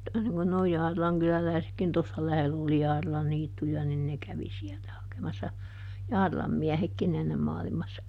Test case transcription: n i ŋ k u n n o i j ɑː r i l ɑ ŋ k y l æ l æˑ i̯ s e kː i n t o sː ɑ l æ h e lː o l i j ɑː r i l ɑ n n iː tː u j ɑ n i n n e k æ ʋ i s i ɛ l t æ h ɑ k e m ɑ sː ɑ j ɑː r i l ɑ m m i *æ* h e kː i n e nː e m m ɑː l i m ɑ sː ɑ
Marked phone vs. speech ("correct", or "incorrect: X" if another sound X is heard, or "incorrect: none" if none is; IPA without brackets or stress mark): correct